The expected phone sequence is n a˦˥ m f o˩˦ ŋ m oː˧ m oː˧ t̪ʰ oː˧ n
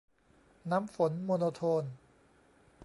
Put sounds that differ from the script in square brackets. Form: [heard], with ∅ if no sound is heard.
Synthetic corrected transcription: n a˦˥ m f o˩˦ [n] m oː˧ [n] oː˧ t̪ʰ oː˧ n